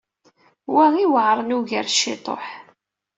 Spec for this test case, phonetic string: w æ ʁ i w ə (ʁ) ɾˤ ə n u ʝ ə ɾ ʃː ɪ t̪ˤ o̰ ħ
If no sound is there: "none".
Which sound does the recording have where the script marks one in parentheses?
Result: ʕ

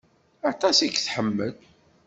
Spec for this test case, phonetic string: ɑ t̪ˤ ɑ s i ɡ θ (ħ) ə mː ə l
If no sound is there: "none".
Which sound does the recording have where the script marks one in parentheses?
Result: ħ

